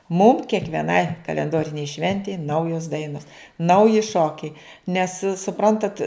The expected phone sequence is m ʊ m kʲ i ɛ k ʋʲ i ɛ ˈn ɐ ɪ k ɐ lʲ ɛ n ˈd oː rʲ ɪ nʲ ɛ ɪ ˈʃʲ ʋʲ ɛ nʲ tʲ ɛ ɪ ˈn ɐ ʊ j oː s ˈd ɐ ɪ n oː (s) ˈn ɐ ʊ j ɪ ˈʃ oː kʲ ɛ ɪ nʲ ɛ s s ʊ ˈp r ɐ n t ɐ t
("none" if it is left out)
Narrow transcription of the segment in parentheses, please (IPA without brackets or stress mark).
s